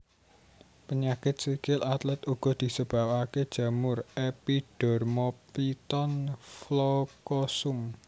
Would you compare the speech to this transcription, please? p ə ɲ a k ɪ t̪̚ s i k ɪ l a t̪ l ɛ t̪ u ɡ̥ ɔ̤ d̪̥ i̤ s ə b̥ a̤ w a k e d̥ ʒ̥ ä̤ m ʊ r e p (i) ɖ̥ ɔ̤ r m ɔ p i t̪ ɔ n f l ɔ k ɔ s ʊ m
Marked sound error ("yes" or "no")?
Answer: no